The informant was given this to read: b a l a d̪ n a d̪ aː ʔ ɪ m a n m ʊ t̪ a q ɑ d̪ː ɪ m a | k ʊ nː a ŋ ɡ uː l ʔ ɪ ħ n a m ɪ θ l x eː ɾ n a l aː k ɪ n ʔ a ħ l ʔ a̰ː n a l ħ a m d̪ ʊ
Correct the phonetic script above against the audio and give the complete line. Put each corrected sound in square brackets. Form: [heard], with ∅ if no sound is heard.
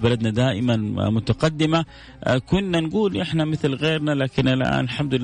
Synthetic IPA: b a l a d̪ n a d̪ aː ʔ ɪ m a n m ʊ t̪ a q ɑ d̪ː ɪ m a | k ʊ nː a [n] ɡ uː l ʔ ɪ ħ n a m ɪ θ l [ɣ] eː ɾ n a l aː k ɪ n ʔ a [∅] l ʔ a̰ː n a l ħ a m d̪ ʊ